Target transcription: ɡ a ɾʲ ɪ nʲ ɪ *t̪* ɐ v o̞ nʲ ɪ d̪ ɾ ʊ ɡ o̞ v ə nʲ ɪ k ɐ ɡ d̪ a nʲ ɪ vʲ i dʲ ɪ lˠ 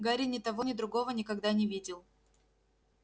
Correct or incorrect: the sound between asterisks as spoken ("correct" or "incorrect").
correct